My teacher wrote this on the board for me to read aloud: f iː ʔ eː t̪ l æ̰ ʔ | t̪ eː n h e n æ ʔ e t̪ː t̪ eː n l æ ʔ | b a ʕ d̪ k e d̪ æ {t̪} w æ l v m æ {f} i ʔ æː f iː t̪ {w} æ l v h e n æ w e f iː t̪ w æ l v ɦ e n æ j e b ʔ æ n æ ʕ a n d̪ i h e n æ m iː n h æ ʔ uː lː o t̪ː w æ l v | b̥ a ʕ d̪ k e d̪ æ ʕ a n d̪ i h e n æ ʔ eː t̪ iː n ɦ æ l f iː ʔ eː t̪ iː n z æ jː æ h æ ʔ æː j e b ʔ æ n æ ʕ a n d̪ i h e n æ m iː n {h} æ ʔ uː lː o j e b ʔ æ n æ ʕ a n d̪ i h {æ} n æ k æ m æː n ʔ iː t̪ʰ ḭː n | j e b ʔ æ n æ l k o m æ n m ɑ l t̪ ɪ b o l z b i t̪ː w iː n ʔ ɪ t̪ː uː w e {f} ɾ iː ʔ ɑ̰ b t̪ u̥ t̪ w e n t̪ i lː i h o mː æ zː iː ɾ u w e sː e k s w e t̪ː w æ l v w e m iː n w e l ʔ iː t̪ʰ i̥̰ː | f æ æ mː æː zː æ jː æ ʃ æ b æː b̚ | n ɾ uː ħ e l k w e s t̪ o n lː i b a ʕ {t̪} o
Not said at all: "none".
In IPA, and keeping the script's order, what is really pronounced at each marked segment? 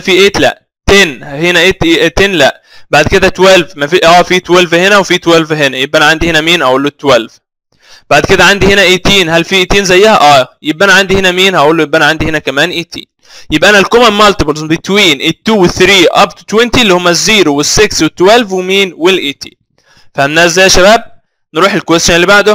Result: t̪, f, w, h, e, θ, d̪

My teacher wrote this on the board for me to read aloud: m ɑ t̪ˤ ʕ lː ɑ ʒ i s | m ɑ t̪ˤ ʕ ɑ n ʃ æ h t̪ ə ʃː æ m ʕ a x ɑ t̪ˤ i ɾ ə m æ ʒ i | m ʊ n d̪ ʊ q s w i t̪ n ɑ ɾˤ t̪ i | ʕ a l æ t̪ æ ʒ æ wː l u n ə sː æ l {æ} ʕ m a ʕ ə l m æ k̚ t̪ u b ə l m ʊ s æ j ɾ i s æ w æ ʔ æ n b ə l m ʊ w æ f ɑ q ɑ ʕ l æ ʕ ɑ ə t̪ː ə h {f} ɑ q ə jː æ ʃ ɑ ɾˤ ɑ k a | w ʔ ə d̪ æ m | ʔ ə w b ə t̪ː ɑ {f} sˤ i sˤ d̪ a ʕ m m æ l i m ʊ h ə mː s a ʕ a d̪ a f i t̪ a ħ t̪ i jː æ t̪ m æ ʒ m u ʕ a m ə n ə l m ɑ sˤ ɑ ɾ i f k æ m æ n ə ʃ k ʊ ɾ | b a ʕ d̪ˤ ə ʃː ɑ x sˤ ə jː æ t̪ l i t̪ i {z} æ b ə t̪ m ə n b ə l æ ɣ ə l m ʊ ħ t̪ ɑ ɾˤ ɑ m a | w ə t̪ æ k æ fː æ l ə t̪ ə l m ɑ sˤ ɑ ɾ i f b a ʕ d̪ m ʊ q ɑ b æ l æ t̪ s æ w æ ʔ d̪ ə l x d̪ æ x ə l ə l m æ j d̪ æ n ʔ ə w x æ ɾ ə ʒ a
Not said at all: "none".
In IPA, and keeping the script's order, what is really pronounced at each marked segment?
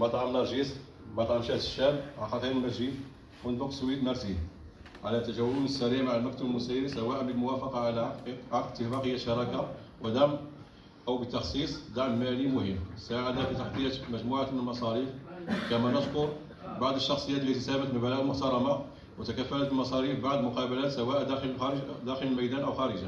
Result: i, f, x, s

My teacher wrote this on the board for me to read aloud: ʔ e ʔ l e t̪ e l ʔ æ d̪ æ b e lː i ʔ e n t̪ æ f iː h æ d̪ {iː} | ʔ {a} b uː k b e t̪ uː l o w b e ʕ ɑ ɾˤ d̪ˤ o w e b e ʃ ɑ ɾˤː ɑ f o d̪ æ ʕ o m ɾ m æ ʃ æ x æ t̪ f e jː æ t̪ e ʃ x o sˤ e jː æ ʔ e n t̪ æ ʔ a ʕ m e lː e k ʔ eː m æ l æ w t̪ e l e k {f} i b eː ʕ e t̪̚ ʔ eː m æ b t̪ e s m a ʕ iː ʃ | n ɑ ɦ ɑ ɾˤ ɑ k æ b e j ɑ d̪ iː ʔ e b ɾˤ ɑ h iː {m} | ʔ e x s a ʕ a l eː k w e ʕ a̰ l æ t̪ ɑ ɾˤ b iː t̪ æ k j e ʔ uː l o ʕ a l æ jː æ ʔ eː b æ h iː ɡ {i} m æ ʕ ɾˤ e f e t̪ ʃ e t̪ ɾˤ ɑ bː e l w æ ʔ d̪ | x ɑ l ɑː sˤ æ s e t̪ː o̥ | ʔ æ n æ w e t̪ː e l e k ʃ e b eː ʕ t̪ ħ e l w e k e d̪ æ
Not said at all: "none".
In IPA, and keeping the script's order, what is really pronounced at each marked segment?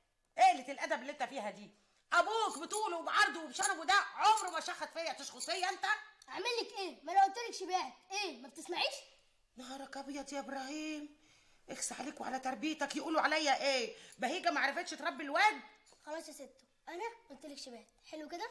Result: iː, æ, ʃ, m, æ

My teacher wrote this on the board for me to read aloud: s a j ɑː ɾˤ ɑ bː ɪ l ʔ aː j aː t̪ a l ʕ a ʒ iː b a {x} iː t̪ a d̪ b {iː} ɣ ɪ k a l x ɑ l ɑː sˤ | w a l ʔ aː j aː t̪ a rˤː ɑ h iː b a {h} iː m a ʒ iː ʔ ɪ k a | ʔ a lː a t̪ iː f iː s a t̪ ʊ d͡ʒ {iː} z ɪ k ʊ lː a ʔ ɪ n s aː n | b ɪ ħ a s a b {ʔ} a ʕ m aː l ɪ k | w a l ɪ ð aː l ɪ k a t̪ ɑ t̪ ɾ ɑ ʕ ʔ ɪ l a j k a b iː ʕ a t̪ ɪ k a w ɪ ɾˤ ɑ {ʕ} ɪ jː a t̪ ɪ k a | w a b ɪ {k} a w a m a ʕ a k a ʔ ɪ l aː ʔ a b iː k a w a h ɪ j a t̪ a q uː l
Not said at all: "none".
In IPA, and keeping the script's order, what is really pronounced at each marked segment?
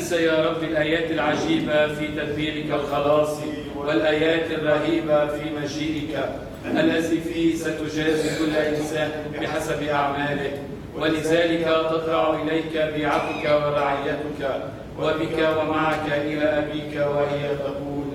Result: f, iː, f, aː, ʔ, ʕ, k

